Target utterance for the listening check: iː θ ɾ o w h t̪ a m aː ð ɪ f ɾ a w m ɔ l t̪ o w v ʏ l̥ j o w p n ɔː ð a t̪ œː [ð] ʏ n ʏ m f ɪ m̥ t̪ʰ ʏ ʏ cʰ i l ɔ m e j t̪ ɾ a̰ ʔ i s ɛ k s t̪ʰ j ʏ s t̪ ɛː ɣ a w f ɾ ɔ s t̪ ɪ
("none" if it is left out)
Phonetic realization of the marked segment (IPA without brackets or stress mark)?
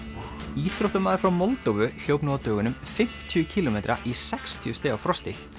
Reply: ɣ